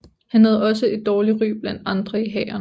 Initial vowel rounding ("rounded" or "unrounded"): unrounded